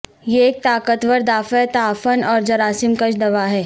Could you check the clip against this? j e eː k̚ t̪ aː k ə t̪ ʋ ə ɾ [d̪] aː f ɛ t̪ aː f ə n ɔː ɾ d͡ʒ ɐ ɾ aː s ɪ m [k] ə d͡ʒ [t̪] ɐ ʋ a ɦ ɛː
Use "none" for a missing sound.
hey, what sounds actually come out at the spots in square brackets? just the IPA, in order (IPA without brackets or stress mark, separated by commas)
d̪, k, d̪